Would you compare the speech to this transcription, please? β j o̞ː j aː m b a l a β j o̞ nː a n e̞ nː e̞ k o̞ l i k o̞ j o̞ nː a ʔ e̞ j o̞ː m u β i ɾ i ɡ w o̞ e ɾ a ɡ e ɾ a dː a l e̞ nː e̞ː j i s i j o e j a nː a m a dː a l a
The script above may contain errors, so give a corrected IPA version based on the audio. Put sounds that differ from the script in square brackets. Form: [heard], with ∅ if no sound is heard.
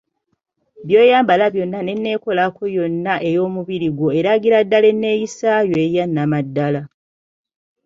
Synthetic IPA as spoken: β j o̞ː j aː m b a l a β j o̞ nː a n e̞ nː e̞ k o̞ l [a] k o̞ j o̞ nː a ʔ e̞ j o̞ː m u β i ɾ i ɡ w o̞ e ɾ a ɡ [i] ɾ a dː a l e̞ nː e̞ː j i s [a] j o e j a nː a m a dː a l a